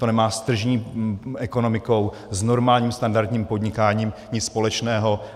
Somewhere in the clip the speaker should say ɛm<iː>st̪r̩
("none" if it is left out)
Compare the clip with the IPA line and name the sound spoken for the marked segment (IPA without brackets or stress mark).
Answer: aː